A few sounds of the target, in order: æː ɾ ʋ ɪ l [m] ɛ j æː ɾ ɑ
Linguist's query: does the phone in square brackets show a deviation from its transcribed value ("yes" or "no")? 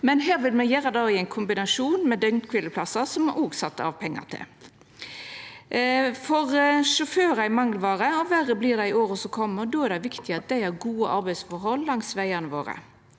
no